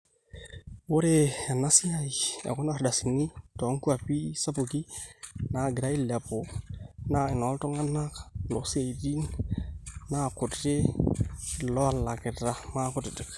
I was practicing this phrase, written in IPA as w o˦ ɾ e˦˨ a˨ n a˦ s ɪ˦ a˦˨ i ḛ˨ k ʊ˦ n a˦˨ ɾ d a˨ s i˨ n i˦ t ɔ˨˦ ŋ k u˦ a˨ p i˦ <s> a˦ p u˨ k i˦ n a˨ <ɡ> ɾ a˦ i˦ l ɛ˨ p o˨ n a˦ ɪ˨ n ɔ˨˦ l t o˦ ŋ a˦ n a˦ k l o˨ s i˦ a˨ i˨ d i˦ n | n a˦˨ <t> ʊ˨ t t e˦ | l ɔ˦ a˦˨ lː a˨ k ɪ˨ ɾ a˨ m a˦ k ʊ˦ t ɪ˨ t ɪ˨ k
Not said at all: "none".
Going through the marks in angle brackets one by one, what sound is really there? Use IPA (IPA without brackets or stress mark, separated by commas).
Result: s, ɡ, k